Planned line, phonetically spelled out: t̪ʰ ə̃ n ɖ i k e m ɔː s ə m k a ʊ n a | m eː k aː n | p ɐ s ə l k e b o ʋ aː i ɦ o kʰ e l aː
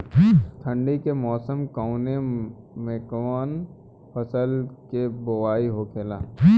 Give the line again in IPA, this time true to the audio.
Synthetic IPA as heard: t̪ʰ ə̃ ɳ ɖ i k e m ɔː s ə m k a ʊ n e | m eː k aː n | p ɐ s ə l k e b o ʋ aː i ɦ o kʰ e l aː